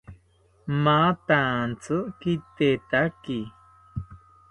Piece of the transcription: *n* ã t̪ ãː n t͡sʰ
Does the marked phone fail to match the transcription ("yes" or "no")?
yes